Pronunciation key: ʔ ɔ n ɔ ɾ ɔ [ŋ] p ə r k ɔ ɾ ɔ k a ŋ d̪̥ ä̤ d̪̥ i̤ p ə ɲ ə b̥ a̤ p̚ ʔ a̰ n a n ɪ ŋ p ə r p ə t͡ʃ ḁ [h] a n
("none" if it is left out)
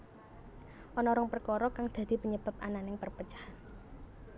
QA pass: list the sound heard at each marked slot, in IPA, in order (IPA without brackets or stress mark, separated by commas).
ŋ, h